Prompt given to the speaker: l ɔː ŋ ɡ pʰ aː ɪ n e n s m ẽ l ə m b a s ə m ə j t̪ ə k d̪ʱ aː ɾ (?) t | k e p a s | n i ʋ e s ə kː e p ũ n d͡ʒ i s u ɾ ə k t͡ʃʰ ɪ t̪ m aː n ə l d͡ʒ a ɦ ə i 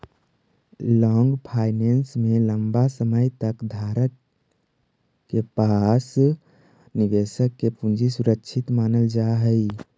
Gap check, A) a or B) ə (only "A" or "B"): B